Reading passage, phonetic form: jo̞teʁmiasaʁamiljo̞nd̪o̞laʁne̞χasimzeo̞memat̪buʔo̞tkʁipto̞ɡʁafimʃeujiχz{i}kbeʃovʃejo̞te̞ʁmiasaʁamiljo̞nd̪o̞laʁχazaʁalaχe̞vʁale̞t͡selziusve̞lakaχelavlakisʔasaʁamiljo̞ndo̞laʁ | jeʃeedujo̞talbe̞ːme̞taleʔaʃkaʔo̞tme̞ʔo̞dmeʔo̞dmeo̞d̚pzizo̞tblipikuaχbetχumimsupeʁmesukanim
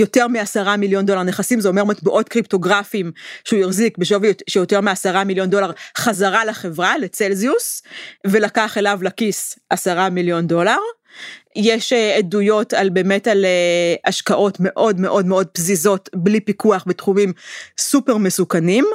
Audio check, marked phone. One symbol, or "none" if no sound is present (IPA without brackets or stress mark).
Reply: i